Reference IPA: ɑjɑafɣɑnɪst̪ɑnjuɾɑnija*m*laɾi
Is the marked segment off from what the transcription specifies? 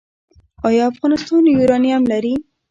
no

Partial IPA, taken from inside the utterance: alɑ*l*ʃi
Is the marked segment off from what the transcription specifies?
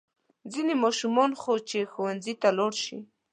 yes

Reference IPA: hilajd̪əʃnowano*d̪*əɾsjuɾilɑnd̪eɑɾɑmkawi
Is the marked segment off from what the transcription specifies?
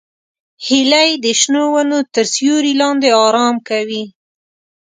yes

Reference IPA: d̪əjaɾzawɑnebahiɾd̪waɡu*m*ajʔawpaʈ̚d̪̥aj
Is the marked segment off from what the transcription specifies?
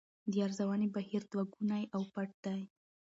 yes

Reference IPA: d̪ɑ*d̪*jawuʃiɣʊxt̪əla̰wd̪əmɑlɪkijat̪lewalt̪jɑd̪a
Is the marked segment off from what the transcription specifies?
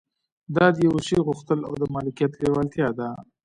no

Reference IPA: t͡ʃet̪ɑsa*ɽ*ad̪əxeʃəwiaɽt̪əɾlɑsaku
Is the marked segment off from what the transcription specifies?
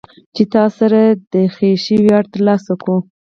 yes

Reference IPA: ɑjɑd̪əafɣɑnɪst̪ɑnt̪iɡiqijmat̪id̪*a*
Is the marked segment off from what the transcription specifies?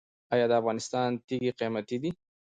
yes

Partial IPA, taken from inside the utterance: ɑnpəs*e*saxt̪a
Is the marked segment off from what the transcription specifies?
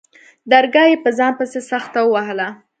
no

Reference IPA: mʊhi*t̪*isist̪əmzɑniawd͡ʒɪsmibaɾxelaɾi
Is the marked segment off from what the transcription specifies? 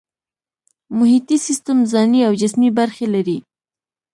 no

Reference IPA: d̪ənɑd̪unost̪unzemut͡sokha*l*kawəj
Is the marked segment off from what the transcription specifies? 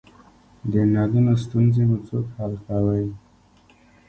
no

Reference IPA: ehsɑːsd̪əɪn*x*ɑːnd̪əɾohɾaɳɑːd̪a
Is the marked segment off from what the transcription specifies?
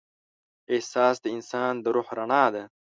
yes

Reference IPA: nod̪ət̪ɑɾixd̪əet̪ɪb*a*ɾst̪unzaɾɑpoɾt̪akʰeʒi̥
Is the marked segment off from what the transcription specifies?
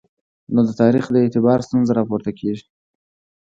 yes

